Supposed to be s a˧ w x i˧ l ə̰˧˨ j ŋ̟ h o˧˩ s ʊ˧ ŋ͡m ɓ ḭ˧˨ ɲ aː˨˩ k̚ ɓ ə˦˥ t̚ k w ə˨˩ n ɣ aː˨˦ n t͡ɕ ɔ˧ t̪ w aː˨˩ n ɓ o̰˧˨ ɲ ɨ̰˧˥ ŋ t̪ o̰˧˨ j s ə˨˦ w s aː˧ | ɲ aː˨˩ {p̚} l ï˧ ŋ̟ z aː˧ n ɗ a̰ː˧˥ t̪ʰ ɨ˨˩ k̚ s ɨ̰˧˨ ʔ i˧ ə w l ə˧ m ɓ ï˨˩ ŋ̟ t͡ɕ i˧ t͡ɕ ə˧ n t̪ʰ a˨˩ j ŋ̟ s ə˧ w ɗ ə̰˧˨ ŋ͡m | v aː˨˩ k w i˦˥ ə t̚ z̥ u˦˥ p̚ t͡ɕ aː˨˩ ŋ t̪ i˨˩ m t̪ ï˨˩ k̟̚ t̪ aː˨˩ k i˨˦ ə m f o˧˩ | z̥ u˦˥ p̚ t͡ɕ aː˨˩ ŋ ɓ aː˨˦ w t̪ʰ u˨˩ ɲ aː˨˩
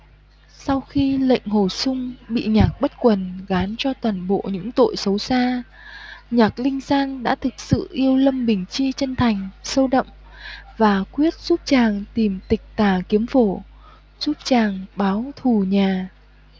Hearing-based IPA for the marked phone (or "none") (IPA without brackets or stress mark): k̚